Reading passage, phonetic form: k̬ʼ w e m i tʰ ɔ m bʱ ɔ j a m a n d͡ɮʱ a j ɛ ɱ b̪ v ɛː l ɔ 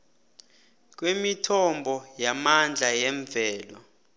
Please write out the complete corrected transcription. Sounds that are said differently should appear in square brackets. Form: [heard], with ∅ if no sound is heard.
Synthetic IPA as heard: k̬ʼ w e m i tʰ ɔ m bʱ ɔ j a m a n d͡ɮʱ a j ɛ ɱ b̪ v ɛː l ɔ